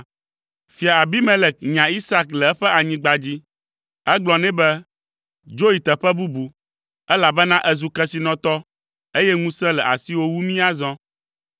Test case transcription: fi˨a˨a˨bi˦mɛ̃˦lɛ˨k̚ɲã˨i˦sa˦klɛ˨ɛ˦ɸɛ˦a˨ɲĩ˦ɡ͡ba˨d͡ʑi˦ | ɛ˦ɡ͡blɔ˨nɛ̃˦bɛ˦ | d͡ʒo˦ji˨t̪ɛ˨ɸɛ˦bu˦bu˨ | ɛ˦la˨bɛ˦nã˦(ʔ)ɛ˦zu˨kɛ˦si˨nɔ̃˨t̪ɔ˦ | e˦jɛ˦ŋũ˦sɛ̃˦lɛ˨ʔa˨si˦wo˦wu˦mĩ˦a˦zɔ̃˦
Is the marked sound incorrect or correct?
correct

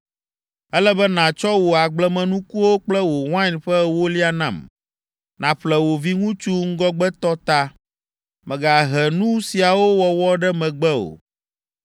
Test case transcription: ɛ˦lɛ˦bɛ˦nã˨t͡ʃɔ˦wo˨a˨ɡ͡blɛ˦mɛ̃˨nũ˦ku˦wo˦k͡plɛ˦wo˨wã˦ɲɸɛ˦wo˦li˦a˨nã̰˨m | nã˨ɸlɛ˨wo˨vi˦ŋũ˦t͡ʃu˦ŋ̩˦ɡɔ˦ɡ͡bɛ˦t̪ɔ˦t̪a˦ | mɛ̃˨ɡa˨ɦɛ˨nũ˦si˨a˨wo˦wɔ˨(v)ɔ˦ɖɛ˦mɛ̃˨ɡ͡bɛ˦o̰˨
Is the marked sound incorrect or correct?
incorrect: w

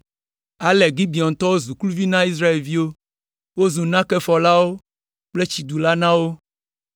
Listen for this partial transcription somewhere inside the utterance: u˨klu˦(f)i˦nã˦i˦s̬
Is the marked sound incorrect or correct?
incorrect: v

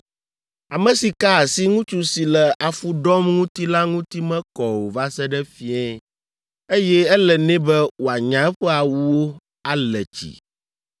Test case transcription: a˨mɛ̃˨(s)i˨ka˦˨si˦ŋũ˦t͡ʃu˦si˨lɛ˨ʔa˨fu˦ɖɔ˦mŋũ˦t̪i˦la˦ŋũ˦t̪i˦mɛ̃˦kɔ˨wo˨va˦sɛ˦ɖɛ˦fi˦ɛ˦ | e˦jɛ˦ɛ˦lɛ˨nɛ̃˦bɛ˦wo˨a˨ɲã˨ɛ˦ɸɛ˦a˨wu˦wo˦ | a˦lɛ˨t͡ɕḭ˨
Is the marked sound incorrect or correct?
correct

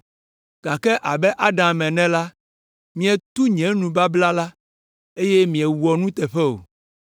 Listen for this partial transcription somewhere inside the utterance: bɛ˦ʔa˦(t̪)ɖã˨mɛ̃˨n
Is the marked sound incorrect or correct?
incorrect: none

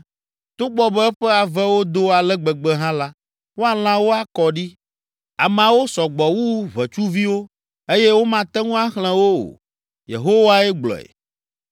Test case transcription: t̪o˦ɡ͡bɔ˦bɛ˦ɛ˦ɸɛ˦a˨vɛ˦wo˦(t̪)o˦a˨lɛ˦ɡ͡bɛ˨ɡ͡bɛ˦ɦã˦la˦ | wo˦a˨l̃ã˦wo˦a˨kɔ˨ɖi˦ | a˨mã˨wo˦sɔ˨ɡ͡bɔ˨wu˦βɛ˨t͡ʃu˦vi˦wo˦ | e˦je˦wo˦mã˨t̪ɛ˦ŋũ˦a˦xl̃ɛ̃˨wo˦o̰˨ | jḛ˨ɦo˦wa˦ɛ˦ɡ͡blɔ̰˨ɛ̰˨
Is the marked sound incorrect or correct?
incorrect: d̪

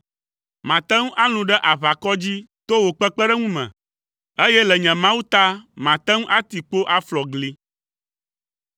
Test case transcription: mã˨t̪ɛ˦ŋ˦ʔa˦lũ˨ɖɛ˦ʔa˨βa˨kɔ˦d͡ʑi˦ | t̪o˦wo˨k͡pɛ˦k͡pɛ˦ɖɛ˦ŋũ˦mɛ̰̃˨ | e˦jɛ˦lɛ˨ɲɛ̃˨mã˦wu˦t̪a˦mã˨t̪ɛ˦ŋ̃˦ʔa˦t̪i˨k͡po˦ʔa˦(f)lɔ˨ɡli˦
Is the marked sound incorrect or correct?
correct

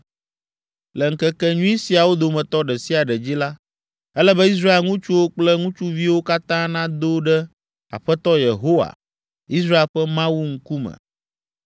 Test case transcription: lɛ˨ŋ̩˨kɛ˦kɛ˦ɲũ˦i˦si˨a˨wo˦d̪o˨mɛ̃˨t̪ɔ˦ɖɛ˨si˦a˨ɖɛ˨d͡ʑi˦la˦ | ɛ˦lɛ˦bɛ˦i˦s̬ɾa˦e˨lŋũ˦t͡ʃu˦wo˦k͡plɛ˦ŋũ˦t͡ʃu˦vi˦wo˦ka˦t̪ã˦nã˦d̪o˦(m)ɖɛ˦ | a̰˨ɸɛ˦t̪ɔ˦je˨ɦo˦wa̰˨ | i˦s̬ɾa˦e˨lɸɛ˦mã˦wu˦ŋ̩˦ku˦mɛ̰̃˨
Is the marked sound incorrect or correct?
incorrect: none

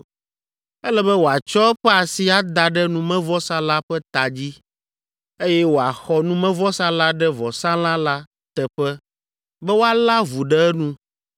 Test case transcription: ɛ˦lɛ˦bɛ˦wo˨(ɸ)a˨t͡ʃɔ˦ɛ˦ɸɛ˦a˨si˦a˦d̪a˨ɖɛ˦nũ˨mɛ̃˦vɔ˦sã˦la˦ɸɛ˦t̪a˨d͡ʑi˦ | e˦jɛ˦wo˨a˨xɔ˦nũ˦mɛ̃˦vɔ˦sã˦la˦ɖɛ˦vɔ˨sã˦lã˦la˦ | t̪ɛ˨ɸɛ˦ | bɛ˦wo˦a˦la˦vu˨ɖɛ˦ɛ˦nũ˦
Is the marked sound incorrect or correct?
incorrect: none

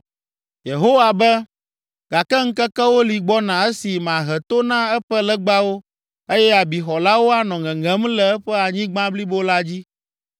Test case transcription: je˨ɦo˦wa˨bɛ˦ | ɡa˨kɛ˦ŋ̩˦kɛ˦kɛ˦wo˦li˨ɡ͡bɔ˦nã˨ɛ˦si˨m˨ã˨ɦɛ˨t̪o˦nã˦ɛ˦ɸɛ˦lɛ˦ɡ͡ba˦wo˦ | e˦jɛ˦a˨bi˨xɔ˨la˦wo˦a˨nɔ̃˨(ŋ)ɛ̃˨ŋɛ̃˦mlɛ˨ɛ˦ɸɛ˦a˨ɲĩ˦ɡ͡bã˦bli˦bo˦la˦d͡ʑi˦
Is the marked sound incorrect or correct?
correct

